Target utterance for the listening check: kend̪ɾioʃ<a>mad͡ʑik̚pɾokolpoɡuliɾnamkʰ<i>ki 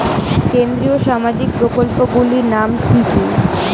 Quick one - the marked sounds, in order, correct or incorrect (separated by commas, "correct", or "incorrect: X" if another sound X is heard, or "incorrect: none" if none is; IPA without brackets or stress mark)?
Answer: correct, correct